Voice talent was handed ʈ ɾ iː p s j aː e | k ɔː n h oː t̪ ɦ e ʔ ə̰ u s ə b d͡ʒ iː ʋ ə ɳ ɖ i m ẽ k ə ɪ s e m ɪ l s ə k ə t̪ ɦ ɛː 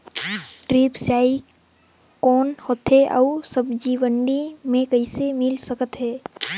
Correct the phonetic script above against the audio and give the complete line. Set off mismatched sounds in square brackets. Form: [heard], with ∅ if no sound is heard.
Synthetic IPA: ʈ ɾ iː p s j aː [i] | k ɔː n h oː t̪ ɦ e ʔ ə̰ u s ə b d͡ʒ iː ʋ ə ɳ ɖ i m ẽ k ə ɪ s e m ɪ l s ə k ə t̪ ɦ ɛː